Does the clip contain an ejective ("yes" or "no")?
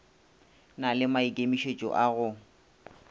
yes